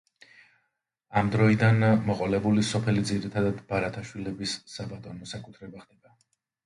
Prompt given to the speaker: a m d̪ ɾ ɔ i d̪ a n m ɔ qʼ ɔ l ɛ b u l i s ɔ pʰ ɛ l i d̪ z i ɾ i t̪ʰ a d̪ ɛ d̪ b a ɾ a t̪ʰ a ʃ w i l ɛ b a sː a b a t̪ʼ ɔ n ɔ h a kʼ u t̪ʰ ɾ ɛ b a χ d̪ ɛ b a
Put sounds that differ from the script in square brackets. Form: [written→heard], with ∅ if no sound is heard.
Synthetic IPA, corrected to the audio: a m d̪ ɾ ɔ i d̪ a n m ɔ qʼ ɔ l ɛ b u l i s ɔ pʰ ɛ l i d̪ z i ɾ i t̪ʰ a d̪ [ɛ→a] d̪ b a ɾ a t̪ʰ a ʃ w i l ɛ b [a→i] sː a b a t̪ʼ ɔ n ɔ [h→s] a kʼ u t̪ʰ ɾ ɛ b a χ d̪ ɛ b a

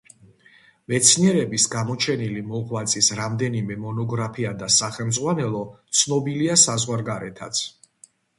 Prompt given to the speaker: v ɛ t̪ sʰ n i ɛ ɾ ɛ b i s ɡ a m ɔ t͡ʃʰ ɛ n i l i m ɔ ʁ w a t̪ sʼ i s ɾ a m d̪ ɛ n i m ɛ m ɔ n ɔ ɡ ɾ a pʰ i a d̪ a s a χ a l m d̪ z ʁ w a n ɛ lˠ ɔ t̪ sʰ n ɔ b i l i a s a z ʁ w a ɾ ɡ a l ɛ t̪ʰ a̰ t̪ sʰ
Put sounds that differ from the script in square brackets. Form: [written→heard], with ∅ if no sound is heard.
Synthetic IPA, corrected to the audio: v ɛ t̪ sʰ n i ɛ ɾ ɛ b i s ɡ a m ɔ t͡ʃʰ ɛ n i l i m ɔ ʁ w a t̪ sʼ i s ɾ a m d̪ ɛ n i m ɛ m ɔ n ɔ ɡ ɾ a pʰ i a d̪ a s a χ [a→ɛ] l m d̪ z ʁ w a n ɛ lˠ ɔ t̪ sʰ n ɔ b i l i a s a z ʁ w a ɾ ɡ a [l→ɾ] ɛ t̪ʰ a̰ t̪ sʰ

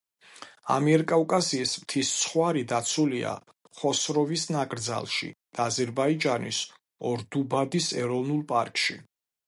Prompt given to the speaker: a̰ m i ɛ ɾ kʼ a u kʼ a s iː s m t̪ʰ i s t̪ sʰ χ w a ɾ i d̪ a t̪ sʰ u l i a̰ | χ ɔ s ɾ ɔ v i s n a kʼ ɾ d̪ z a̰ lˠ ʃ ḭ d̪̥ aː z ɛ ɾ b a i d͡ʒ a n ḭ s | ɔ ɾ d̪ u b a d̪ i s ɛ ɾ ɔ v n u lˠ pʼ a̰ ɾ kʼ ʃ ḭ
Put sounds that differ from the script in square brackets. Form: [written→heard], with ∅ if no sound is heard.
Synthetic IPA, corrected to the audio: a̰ m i ɛ ɾ kʼ a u kʼ a s iː s m t̪ʰ i s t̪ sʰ χ w a ɾ i d̪ a t̪ sʰ u l i a̰ | χ ɔ s ɾ ɔ v i s n a kʼ ɾ d̪ z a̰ lˠ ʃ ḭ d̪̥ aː z ɛ ɾ b a i d͡ʒ a n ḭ s | ɔ ɾ d̪ u b a d̪ i s ɛ ɾ ɔ v n u lˠ pʼ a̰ ɾ kʼ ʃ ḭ

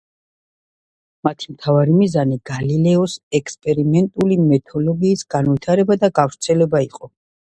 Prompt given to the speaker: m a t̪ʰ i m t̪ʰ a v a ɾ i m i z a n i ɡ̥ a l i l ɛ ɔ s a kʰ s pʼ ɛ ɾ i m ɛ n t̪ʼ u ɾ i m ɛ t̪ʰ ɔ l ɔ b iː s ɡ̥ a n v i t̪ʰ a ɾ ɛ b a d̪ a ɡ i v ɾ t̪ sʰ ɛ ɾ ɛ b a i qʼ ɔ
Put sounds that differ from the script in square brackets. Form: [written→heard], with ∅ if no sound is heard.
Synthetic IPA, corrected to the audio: m a t̪ʰ i m t̪ʰ a v a ɾ i m i z a n i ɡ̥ a l i l ɛ ɔ s [a→ɛ] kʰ s pʼ ɛ ɾ i m ɛ n t̪ʼ u [ɾ→l] i m ɛ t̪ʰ ɔ l ɔ [b→ɡ] iː s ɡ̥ a n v i t̪ʰ a ɾ ɛ b a d̪ a ɡ [i→a] v ɾ t̪ sʰ ɛ [ɾ→l] ɛ b a i qʼ ɔ

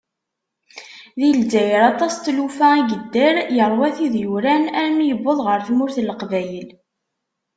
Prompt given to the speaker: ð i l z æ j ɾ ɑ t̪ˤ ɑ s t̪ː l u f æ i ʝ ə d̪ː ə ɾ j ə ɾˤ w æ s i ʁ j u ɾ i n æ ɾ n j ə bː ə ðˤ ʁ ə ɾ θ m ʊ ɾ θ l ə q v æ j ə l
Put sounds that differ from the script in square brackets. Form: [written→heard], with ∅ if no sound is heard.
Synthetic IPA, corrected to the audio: ð i l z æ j ɾ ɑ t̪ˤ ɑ s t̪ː l u f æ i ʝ ə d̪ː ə ɾ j ə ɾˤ w æ [s→θ] i [ʁ→ð] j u ɾ [i→æ] n æ ɾ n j ə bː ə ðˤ ʁ ə ɾ θ m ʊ ɾ θ l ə q v æ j ə l

